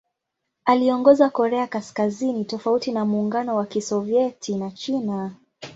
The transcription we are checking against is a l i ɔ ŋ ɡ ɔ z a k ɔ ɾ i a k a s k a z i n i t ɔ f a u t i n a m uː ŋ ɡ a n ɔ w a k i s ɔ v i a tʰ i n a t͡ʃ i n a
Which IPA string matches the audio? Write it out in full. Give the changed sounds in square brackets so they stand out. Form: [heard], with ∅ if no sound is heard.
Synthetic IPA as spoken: a l i ɔ ŋ ɡ ɔ z a k ɔ ɾ [ɛ] a k a s k a z i n i t ɔ f a u t i n a m uː ŋ ɡ a n ɔ w a k i s ɔ v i [ɛ] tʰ i n a t͡ʃ i n a